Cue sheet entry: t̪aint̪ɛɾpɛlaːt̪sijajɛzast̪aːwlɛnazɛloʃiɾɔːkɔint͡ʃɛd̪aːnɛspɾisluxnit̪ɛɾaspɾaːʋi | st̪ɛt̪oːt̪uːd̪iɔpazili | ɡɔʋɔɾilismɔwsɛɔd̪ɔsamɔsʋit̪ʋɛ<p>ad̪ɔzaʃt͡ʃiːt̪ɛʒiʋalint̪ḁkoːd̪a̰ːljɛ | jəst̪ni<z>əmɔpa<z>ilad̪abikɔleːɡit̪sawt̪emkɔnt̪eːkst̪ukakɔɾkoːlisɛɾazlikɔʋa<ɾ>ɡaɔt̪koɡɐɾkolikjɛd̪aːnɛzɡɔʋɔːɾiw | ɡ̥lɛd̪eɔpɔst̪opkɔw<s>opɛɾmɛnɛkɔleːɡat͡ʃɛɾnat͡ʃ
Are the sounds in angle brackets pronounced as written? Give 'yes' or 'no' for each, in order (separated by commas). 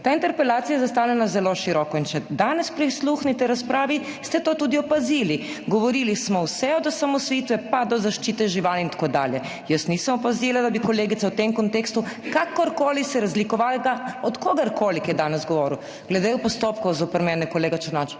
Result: yes, no, yes, no, no